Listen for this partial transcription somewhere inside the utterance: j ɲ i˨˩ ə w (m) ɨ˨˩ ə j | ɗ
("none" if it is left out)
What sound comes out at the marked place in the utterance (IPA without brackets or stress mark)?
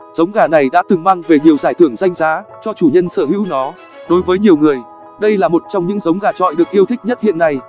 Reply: ŋ